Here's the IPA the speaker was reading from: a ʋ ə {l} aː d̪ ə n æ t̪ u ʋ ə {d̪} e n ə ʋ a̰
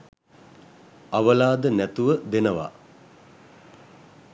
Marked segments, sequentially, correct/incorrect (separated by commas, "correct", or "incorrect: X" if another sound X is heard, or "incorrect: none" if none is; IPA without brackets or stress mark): correct, correct